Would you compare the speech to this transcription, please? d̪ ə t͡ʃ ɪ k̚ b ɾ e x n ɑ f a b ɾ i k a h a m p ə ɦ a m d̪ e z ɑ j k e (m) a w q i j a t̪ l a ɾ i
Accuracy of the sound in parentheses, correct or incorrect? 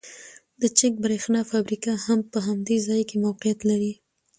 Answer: correct